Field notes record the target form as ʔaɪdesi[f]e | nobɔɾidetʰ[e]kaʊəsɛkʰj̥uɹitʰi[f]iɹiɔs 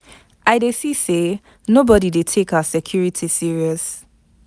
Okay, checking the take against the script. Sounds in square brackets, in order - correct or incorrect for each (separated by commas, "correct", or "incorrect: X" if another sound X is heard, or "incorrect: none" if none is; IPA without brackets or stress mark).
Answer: incorrect: s, correct, incorrect: s